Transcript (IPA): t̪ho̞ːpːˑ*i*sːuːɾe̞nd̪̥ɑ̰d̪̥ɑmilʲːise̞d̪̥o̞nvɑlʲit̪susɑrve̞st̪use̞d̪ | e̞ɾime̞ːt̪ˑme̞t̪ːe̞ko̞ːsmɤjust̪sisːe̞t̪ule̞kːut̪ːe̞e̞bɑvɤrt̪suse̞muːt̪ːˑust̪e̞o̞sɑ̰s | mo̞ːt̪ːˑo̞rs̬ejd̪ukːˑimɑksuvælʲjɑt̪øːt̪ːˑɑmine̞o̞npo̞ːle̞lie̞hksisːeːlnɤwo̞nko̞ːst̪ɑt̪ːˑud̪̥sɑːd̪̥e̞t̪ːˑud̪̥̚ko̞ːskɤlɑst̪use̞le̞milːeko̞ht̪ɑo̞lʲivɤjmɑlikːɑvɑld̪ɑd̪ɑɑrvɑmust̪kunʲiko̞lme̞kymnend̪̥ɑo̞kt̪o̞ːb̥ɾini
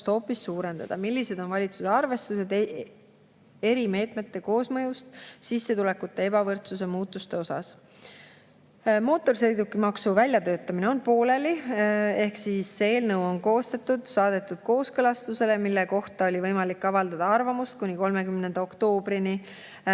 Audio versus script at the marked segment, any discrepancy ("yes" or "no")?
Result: no